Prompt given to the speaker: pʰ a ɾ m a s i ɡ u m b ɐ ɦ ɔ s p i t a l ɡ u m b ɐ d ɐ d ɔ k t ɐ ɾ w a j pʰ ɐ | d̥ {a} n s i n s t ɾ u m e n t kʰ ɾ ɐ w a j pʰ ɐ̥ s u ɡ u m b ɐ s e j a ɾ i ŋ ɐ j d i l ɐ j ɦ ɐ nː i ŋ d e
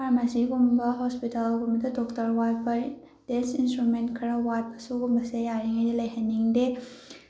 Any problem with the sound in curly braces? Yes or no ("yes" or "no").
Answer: yes